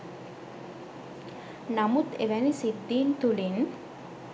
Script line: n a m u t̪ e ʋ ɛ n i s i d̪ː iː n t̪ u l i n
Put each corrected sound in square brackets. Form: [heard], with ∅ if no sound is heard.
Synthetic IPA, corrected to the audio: n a m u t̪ e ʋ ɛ n i s i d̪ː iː n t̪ u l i n